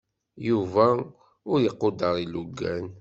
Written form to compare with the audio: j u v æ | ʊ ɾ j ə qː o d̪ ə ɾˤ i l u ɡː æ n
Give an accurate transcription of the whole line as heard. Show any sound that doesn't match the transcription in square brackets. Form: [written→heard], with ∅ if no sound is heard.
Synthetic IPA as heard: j u v æ | ʊ ɾ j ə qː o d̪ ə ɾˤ i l u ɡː æ n